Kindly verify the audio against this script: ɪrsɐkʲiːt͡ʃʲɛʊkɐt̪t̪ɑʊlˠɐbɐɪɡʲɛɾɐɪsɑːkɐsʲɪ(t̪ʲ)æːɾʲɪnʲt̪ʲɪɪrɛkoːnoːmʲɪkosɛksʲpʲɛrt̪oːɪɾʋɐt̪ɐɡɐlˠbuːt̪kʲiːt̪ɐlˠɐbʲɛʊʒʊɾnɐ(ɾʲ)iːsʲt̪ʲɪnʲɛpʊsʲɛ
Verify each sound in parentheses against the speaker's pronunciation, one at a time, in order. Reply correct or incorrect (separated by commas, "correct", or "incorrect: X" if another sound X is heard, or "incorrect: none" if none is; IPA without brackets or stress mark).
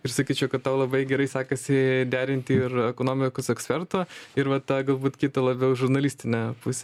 incorrect: d̪ʲ, incorrect: lʲ